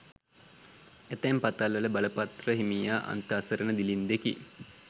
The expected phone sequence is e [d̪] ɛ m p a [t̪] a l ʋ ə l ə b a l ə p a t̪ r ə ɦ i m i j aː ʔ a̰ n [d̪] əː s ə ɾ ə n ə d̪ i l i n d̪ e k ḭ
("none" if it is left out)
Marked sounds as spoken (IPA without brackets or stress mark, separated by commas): t̪, t̪, t̪